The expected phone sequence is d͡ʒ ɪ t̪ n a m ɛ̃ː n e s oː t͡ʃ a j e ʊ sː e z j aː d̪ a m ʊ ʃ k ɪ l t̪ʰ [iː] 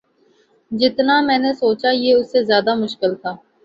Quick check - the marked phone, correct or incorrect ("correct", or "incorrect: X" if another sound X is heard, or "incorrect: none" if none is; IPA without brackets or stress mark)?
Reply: incorrect: aː